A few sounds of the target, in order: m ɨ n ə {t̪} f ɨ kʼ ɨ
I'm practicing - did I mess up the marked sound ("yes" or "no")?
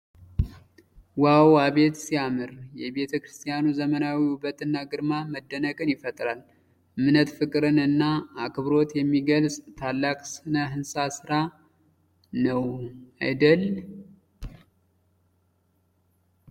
no